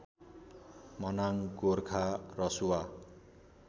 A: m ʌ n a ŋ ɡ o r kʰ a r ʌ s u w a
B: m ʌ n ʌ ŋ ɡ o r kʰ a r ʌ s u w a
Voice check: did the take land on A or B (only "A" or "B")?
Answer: A